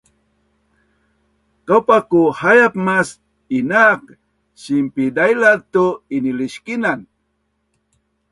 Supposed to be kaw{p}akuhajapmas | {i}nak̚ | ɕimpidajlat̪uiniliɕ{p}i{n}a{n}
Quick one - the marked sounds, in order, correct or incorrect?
correct, correct, incorrect, correct, correct

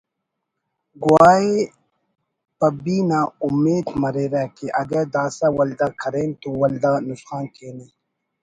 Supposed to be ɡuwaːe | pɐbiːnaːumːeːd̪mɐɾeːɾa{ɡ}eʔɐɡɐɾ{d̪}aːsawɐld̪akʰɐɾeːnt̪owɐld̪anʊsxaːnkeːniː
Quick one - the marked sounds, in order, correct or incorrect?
incorrect, correct

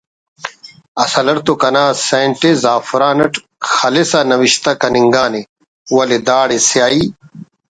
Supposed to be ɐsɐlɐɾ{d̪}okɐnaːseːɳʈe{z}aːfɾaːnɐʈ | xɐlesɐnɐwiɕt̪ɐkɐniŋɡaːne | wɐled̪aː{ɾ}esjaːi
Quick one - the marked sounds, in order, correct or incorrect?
incorrect, correct, incorrect

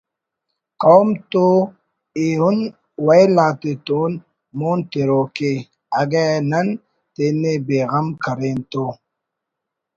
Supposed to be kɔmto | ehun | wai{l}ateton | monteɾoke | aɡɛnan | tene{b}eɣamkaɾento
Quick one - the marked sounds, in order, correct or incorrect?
correct, correct

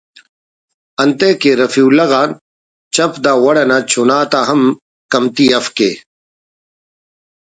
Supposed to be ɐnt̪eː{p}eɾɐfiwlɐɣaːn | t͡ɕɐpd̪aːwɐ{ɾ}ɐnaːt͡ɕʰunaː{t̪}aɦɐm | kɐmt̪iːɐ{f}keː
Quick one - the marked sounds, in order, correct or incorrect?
incorrect, incorrect, correct, correct

